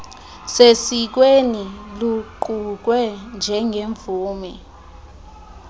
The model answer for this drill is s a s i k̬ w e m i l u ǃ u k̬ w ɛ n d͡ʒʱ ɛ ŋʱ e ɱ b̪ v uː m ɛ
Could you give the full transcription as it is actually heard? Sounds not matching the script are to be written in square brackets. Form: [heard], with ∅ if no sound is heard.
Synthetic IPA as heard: s [e] s i k̬ w e [n] i l u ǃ u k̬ w ɛ n d͡ʒʱ ɛ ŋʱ e ɱ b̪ v uː m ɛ